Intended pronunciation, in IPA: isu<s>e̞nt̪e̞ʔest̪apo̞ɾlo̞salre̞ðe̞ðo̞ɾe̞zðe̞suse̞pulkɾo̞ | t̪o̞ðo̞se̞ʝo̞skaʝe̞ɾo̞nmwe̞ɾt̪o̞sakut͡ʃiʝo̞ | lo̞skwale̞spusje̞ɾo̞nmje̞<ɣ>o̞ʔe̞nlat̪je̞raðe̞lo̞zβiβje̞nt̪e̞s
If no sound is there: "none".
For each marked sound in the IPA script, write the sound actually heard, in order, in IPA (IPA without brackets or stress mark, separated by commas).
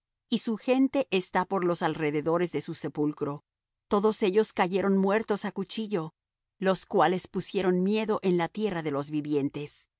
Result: x, ð